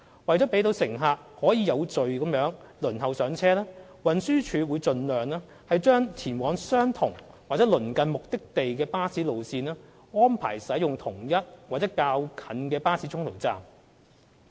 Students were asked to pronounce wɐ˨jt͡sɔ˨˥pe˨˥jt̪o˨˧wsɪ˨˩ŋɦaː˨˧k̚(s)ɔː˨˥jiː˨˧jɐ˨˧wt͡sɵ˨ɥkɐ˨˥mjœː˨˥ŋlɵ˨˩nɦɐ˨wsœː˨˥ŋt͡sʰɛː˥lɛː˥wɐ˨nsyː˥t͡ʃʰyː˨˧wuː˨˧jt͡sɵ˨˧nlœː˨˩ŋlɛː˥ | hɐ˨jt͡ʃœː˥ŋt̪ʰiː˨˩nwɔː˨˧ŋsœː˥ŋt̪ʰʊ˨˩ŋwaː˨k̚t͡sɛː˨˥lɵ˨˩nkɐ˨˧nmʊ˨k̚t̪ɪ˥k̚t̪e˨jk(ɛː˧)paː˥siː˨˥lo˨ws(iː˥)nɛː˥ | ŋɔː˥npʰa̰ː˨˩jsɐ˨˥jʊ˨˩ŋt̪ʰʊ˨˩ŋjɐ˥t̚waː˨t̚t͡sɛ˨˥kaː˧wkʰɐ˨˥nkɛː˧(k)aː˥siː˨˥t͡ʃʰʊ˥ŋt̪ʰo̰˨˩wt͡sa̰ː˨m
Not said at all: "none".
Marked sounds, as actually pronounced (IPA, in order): h, ɛː˧, iː˧, p

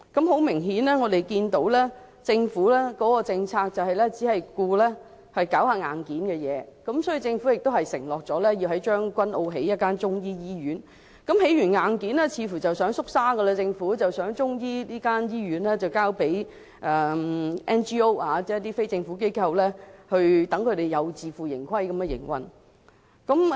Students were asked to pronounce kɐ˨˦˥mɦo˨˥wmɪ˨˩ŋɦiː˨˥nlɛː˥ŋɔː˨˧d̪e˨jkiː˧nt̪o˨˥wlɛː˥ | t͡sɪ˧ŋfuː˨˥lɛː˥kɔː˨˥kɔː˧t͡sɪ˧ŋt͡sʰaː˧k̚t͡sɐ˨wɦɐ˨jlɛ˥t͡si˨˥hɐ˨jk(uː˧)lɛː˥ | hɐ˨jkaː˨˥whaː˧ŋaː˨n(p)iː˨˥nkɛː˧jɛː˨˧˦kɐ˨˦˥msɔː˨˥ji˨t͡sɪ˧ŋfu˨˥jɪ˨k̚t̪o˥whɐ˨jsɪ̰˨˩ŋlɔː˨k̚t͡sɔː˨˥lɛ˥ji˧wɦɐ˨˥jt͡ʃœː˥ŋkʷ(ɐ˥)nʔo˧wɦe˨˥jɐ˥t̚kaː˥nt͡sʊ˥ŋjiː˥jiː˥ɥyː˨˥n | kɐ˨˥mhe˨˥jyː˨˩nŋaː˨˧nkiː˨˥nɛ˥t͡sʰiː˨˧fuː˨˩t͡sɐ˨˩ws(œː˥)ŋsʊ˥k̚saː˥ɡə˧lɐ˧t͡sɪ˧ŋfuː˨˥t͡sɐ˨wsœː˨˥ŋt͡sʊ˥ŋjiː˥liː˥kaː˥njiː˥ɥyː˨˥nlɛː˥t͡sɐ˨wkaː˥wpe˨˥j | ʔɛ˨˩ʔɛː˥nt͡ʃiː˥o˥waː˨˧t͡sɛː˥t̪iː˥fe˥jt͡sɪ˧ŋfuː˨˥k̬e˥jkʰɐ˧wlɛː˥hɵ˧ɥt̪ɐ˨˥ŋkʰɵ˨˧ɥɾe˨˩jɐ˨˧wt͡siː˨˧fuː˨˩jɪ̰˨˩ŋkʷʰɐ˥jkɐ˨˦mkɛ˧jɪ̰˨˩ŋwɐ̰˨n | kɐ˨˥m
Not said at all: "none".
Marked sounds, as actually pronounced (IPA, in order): uː˧, k, ɐ˥, œː˨˥

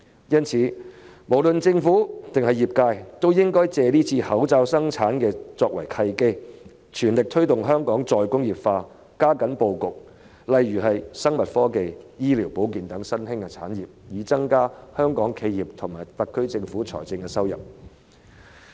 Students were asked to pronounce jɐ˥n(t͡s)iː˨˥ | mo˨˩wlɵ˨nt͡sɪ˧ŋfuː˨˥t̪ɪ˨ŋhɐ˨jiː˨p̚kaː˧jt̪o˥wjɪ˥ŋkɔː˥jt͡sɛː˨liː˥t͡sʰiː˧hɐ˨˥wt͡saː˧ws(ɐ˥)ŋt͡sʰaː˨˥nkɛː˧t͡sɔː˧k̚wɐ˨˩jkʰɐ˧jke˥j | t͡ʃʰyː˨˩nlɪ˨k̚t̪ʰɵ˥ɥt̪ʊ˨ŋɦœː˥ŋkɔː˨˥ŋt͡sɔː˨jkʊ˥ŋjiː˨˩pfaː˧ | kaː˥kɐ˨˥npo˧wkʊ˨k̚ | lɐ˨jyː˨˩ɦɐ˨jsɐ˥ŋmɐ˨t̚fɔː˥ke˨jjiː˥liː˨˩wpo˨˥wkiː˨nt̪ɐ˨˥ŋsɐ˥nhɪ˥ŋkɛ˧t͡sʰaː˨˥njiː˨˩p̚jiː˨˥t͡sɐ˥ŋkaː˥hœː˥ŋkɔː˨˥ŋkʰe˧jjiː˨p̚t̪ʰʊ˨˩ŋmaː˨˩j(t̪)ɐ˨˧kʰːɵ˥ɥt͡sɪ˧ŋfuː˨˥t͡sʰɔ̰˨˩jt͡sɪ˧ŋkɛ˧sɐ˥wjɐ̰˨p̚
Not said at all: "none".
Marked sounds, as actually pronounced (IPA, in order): t͡sʰ, ɐ˥, t̪

